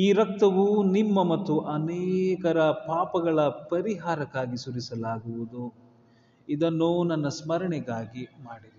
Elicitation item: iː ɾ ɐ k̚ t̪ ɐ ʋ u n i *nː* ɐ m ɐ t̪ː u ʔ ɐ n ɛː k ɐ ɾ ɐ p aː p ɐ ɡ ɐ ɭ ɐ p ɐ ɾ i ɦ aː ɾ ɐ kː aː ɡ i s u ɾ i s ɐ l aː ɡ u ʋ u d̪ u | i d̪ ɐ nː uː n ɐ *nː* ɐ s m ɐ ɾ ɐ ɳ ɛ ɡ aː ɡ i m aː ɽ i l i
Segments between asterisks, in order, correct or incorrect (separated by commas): incorrect, correct